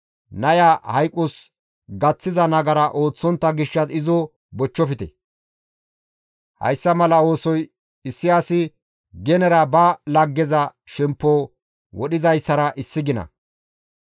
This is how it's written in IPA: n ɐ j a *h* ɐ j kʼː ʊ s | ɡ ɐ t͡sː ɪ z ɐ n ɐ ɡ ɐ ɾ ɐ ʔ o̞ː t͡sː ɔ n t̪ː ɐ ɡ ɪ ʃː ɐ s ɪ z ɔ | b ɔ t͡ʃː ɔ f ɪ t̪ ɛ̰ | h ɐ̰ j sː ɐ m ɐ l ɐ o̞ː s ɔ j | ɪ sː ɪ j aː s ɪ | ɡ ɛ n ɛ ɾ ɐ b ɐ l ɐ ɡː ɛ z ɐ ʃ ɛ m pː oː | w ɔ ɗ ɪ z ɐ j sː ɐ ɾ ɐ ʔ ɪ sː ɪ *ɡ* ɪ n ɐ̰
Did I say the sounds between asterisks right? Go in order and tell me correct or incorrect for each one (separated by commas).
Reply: correct, correct